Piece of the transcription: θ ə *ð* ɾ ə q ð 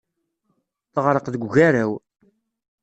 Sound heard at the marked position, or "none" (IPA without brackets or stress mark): ʁ